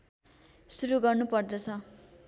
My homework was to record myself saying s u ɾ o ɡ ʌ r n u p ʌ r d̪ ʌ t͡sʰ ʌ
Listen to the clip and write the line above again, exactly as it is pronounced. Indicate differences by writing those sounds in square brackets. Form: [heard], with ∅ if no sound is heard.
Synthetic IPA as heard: s u ɾ [u] ɡ ʌ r n u p ʌ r d̪ ʌ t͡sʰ ʌ